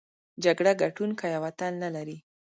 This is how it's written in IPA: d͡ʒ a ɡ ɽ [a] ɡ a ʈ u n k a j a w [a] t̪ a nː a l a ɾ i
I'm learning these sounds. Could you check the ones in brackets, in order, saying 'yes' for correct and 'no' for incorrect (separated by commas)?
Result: yes, yes